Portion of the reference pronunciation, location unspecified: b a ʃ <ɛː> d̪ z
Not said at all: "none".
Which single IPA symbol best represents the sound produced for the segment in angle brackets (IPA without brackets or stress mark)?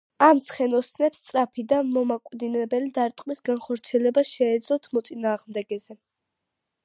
ɛː